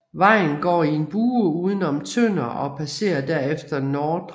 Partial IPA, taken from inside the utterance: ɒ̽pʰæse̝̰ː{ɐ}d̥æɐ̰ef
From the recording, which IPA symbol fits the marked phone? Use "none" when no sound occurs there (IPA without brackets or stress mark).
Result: ɐ